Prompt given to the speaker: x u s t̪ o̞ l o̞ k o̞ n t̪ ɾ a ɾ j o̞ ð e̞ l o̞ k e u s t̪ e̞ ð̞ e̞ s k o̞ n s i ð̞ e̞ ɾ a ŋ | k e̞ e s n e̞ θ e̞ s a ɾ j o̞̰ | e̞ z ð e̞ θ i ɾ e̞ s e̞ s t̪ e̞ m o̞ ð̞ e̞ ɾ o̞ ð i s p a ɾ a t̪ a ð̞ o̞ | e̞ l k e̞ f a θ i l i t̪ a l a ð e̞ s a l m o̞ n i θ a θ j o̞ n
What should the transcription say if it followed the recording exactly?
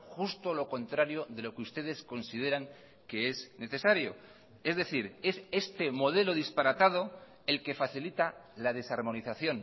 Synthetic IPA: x u s t̪ o̞ l o̞ k o̞ n t̪ ɾ a ɾ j o̞ ð e̞ l o̞ k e u s t̪ e̞ ð̞ e̞ s k o̞ n s i ð̞ e̞ ɾ a ŋ | k e̞ e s n e̞ θ e̞ s a ɾ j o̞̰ | e̞ z ð e̞ θ i ɾ e̞ s e̞ s t̪ e̞ m o̞ ð̞ e̞ l o̞ ð i s p a ɾ a t̪ a ð̞ o̞ | e̞ l k e̞ f a θ i l i t̪ a l a ð e̞ s a ɾ m o̞ n i θ a θ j o̞ n